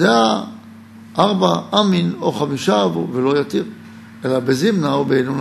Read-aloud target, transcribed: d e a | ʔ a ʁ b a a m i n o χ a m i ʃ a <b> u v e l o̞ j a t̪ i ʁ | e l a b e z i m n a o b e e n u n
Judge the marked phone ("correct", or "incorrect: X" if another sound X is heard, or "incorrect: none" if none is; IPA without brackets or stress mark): incorrect: v